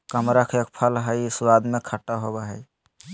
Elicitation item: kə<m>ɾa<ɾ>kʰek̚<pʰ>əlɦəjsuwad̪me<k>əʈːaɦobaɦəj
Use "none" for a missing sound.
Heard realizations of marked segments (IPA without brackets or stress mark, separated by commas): m, none, pʰ, kʰ